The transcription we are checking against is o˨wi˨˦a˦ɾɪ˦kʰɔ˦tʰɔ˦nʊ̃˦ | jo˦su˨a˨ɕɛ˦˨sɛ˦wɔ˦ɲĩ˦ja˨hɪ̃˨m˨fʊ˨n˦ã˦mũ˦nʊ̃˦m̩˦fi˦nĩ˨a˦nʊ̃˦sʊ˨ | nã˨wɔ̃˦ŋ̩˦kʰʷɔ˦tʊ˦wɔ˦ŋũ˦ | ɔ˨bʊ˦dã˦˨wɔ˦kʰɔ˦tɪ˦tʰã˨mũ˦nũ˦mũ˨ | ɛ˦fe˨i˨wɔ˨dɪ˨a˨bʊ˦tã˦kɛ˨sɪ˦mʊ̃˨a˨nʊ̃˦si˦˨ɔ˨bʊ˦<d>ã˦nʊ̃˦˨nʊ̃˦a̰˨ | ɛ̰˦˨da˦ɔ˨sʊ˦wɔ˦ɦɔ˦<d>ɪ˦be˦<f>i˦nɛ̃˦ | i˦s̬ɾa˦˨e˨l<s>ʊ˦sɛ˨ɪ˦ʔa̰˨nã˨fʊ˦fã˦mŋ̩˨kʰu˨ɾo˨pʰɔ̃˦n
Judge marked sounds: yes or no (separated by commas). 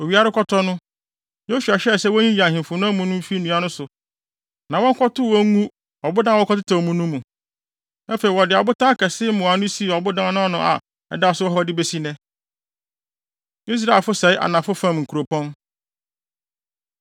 yes, yes, no, no